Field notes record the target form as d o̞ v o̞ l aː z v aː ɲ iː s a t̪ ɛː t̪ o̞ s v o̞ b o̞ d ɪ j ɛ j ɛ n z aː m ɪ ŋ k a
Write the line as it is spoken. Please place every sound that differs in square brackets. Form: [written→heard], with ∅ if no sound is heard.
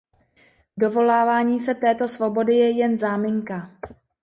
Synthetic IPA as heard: d o̞ v o̞ l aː [z→∅] v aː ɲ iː s [a→ɛ] t̪ ɛː t̪ o̞ s v o̞ b o̞ d ɪ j ɛ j ɛ n z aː m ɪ ŋ k a